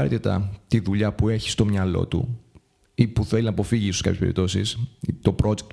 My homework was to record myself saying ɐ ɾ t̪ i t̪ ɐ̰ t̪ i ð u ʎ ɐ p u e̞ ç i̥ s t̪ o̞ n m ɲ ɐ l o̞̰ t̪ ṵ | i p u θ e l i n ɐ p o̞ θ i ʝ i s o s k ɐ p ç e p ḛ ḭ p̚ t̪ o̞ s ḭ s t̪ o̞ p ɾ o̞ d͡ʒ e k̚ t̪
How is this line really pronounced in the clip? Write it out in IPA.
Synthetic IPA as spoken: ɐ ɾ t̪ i t̪ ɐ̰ t̪ i ð u ʎ ɐ p u e̞ ç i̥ s t̪ o̞ m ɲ ɐ l o̞̰ t̪ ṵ | i p u θ e l i n ɐ p o̞ f i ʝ i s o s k ɐ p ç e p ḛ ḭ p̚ t̪ o̞ s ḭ s t̪ o̞ p ɾ o̞ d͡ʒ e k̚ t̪